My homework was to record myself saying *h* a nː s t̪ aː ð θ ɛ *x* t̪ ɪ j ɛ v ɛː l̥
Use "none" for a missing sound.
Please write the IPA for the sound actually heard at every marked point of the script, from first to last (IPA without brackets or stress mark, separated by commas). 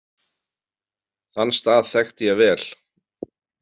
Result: θ, x